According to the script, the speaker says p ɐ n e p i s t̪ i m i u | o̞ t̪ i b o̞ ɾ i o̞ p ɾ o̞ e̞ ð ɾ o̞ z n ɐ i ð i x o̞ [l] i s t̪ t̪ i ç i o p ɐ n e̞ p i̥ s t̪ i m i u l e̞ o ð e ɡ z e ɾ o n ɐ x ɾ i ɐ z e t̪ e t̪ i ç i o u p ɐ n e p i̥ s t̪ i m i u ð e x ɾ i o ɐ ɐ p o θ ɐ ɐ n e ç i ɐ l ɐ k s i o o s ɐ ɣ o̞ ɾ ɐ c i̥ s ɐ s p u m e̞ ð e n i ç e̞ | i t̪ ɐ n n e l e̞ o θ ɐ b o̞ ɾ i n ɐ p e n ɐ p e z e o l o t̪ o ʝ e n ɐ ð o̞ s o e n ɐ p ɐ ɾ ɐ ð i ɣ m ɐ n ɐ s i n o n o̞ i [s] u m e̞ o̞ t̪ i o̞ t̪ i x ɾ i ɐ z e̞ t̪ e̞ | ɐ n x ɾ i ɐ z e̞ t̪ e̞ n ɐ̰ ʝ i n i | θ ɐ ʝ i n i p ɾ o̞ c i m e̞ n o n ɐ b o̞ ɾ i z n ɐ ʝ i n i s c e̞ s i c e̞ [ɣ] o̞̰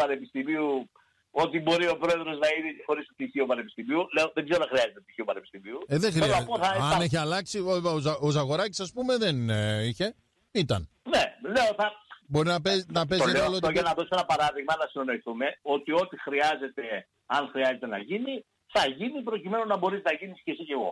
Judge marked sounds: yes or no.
no, no, yes

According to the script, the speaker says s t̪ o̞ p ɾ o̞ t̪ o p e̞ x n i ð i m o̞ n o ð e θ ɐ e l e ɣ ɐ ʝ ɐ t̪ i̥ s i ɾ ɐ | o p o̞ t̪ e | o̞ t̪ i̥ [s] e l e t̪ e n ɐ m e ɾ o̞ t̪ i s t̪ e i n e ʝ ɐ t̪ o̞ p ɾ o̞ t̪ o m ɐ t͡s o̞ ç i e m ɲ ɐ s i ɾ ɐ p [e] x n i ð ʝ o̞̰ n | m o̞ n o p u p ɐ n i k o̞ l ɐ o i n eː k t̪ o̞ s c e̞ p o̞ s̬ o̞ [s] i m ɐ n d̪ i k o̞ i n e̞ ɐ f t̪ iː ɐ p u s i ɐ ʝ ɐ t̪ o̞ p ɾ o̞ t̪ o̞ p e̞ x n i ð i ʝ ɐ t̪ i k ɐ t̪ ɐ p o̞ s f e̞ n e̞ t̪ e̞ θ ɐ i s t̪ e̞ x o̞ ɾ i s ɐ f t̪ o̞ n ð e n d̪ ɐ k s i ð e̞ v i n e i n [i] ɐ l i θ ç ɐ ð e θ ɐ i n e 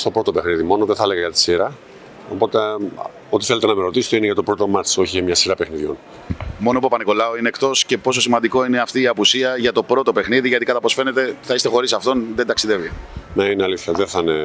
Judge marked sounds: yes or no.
no, yes, yes, no

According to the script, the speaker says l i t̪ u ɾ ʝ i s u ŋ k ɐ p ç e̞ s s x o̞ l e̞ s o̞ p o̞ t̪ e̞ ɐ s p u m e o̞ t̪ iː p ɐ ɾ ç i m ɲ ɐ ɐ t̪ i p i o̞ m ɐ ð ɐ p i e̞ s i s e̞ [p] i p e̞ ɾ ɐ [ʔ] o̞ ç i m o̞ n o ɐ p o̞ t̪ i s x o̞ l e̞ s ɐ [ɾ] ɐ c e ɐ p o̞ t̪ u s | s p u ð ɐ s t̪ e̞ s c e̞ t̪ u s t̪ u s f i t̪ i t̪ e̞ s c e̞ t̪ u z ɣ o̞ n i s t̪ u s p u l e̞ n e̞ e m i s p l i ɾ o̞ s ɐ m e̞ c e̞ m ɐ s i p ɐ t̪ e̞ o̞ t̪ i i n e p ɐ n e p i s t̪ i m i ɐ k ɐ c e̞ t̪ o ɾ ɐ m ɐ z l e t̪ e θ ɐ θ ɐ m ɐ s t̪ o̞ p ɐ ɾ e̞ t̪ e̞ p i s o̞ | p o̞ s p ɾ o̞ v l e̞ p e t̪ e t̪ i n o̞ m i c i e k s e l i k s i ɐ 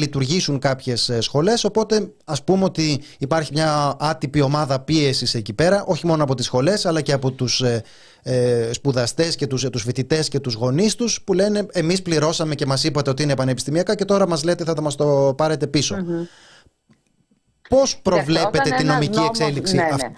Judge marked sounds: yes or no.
no, yes, no

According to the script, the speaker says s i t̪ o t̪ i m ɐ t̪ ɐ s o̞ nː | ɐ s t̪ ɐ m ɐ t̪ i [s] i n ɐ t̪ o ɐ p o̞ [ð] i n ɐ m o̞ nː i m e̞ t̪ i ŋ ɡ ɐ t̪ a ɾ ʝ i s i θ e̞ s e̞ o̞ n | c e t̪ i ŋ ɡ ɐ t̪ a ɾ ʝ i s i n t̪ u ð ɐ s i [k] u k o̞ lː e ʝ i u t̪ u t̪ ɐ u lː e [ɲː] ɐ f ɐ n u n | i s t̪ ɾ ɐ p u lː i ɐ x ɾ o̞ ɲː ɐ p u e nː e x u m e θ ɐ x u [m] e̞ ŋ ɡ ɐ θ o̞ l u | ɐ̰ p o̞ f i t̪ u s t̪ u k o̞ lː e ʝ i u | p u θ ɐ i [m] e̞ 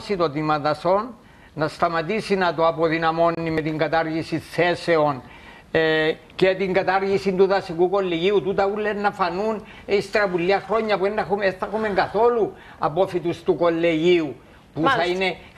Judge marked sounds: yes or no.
yes, yes, yes, no, yes, no

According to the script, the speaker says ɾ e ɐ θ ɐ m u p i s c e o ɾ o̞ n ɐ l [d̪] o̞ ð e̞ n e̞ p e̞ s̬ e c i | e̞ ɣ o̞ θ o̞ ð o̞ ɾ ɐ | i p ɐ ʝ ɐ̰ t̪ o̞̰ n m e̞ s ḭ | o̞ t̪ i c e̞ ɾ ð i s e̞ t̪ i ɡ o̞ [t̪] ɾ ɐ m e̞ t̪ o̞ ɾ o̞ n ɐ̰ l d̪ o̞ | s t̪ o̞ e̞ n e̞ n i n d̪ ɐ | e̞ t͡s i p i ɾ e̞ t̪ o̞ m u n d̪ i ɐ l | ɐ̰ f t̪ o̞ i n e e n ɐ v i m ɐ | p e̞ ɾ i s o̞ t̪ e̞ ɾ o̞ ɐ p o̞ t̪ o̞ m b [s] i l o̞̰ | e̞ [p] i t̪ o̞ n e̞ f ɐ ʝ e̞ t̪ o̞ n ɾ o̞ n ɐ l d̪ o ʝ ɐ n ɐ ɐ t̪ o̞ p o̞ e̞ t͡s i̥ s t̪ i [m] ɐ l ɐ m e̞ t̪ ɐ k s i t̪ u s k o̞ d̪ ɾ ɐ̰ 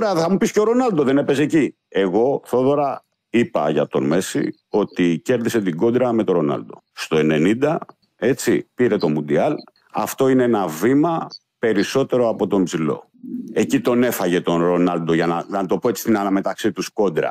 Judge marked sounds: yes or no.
yes, no, no, no, no

